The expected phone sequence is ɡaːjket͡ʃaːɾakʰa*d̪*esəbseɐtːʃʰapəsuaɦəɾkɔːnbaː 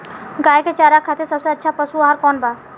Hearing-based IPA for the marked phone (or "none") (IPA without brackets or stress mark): t̪